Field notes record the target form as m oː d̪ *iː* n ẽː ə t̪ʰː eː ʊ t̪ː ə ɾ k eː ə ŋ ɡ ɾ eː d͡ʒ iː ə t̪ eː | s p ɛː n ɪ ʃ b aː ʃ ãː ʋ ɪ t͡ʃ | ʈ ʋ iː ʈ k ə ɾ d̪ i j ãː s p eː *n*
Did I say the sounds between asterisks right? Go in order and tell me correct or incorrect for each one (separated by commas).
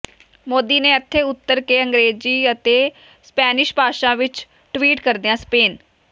correct, correct